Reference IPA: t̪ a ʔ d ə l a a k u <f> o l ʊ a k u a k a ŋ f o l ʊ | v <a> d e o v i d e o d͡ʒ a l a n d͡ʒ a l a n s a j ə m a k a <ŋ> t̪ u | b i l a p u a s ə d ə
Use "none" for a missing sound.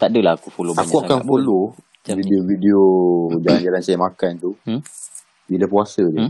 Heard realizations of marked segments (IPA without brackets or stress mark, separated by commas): f, i, n